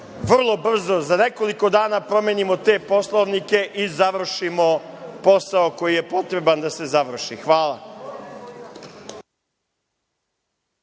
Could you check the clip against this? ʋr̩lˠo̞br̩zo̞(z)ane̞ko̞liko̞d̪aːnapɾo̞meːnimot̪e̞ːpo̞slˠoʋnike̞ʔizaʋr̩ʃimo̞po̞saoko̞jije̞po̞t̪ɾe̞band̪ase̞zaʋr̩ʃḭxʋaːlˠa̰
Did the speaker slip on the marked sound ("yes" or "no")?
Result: no